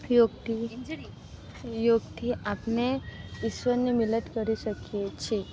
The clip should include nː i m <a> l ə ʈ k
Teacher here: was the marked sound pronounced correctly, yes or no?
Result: no